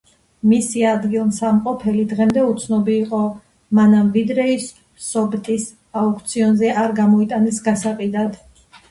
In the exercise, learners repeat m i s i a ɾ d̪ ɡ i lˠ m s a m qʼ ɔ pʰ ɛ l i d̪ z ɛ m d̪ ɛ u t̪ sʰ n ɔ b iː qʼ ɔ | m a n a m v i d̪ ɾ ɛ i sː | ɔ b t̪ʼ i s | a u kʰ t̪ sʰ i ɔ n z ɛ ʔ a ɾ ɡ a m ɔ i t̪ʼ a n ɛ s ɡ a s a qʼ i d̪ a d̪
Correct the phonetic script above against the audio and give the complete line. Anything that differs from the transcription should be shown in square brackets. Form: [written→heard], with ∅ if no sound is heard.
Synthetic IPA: m i s i a [ɾ→∅] d̪ ɡ i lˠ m s a m qʼ ɔ pʰ ɛ l i d̪ [z→ʁ] ɛ m d̪ ɛ u t̪ sʰ n ɔ b iː qʼ ɔ | m a n a m v i d̪ ɾ ɛ i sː | ɔ b t̪ʼ i s | a u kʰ t̪ sʰ i ɔ n z ɛ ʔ a ɾ ɡ a m ɔ i t̪ʼ a n ɛ s ɡ a s a qʼ i d̪ a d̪

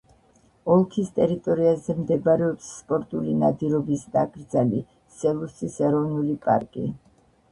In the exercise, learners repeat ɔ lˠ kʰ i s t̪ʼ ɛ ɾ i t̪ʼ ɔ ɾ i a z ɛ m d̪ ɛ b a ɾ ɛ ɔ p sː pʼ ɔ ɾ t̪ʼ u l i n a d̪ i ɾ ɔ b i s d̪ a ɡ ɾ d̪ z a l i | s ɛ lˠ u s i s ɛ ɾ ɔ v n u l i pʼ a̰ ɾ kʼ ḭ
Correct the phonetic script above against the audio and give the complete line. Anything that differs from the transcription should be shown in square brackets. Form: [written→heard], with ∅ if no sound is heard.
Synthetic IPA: ɔ lˠ kʰ i s t̪ʼ ɛ ɾ i t̪ʼ ɔ ɾ i a z ɛ m d̪ ɛ b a ɾ ɛ ɔ p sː pʼ ɔ ɾ t̪ʼ u l i n a d̪ i ɾ ɔ b i s d̪ a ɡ ɾ d̪ z a l i | s ɛ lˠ u s i s ɛ ɾ ɔ v n u l i pʼ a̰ ɾ kʼ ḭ

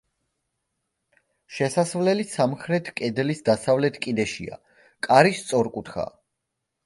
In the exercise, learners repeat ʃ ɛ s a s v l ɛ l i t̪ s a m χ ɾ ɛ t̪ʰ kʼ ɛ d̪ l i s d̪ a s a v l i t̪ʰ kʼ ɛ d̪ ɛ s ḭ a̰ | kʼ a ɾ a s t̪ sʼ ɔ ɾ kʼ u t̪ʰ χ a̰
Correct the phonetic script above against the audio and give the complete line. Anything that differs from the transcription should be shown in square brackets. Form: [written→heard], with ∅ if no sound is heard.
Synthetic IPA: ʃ ɛ s a s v l ɛ l i [t̪→∅] s a m χ ɾ ɛ t̪ʰ kʼ ɛ d̪ l i s d̪ a s a v l [i→ɛ] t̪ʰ kʼ [ɛ→i] d̪ ɛ [s→ʃ] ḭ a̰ | kʼ a ɾ [a→i] s t̪ sʼ ɔ ɾ kʼ u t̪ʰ χ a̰

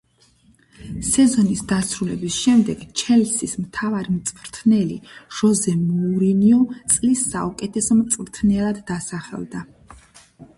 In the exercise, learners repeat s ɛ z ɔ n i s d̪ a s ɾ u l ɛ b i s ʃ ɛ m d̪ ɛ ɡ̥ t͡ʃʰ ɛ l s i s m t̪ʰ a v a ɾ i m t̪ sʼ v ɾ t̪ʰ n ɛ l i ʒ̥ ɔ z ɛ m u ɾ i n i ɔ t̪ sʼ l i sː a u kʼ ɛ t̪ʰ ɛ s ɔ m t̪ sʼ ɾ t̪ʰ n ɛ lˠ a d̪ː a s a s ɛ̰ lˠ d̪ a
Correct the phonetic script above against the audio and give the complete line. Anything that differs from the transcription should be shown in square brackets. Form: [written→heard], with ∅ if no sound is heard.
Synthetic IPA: s ɛ z ɔ n i s d̪ a s ɾ u l ɛ b i s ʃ ɛ m d̪ ɛ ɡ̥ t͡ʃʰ ɛ l s i s m t̪ʰ a v a ɾ i m t̪ sʼ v ɾ t̪ʰ n ɛ l i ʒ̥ ɔ z ɛ m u ɾ i n i ɔ t̪ sʼ l i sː a u kʼ ɛ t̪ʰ ɛ s ɔ m t̪ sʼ ɾ t̪ʰ n ɛ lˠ a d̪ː a s a [s→χ] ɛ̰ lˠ d̪ a

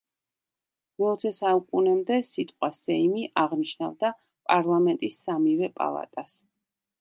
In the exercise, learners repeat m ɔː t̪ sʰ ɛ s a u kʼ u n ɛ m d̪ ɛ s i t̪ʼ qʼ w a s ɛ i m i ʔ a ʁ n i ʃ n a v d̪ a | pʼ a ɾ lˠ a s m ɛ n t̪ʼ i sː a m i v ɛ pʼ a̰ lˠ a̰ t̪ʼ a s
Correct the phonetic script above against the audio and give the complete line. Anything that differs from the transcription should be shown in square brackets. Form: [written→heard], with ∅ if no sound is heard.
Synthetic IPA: m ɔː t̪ sʰ ɛ s a u kʼ u n ɛ m d̪ ɛ s i t̪ʼ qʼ w a s ɛ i m i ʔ a ʁ n i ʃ n a v d̪ a | pʼ a ɾ lˠ a [s→∅] m ɛ n t̪ʼ i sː a m i v ɛ pʼ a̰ lˠ a̰ t̪ʼ a s

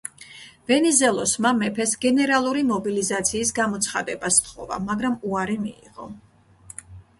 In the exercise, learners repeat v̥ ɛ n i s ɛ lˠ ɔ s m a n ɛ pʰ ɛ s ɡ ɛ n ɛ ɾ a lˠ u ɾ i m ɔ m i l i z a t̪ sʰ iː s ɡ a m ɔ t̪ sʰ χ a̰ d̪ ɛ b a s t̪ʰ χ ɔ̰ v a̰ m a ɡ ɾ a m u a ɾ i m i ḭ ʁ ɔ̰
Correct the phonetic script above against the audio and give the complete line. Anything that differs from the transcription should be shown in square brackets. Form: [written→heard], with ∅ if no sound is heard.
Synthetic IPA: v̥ ɛ n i [s→z] ɛ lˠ ɔ s m a [n→m] ɛ pʰ ɛ s ɡ ɛ n ɛ ɾ a lˠ u ɾ i m ɔ [m→b] i l i z a t̪ sʰ iː s ɡ a m ɔ t̪ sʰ χ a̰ d̪ ɛ b a s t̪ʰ χ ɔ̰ v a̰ m a ɡ ɾ a m u a ɾ i m i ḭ ʁ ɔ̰

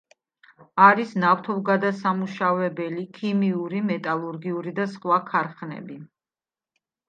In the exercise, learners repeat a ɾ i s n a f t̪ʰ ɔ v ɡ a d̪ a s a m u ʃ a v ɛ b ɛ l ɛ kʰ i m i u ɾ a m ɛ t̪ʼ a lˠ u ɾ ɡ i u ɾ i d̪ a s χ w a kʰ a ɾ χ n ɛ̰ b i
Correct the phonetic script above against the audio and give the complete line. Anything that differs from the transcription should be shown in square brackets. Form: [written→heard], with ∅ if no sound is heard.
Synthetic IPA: a ɾ i s n a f t̪ʰ ɔ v ɡ a d̪ a s a m u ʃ a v ɛ b ɛ l [ɛ→i] kʰ i m i u ɾ [a→i] m ɛ t̪ʼ a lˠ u ɾ ɡ i u ɾ i d̪ a s χ w a kʰ a ɾ χ n ɛ̰ b i

